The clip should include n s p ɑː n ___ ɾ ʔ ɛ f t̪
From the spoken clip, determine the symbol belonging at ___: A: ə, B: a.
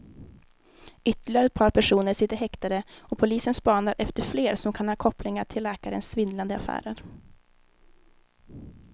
B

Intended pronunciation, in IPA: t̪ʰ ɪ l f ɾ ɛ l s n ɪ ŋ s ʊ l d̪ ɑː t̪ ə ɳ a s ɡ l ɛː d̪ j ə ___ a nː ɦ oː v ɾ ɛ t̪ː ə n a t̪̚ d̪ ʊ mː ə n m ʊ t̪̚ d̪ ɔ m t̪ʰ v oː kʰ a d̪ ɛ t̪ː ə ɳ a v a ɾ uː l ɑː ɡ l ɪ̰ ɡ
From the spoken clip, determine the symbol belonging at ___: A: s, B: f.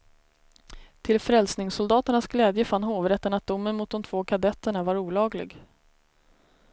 B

